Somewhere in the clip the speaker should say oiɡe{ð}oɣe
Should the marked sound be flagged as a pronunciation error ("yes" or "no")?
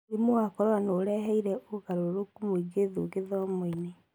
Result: no